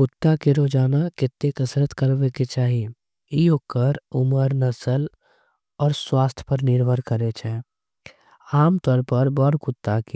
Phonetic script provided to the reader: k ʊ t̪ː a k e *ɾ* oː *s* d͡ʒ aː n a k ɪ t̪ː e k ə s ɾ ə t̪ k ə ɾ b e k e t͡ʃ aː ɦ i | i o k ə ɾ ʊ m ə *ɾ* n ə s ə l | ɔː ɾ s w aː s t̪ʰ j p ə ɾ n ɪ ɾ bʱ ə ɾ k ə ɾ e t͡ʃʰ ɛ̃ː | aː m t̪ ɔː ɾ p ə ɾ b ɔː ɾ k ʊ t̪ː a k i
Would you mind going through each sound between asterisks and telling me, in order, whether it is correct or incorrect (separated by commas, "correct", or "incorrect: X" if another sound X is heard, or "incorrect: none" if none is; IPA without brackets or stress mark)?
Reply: correct, incorrect: none, correct